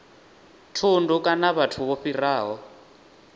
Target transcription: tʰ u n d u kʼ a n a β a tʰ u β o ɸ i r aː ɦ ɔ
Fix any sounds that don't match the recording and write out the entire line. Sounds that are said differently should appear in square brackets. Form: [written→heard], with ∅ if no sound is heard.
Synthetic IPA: tʰ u n d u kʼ a n a β a tʰ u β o ɸ i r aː ɦ ɔ